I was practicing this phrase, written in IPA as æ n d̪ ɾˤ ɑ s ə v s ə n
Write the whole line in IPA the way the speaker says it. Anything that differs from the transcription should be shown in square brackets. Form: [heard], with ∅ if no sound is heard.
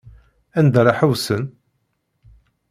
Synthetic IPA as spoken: æ n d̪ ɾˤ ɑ [ħ] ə [w] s ə n